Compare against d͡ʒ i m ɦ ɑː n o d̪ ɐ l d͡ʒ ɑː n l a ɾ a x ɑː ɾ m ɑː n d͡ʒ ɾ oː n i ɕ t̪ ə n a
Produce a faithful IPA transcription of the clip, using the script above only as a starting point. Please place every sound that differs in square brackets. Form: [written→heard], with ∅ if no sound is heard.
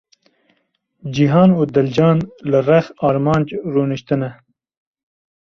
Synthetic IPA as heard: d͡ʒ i [m→∅] ɦ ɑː n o d̪ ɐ l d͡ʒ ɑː n l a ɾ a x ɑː ɾ m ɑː n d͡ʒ ɾ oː n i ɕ t̪ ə n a